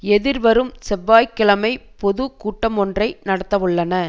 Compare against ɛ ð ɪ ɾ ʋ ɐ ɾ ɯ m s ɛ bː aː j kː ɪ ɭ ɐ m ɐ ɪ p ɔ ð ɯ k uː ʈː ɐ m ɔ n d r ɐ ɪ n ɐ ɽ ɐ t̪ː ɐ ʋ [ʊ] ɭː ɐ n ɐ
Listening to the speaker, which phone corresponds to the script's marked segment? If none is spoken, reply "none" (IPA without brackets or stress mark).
ɯ